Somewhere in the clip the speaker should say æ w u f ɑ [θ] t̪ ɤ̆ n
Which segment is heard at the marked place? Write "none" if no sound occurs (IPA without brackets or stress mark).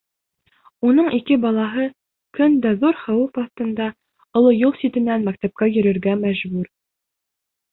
θ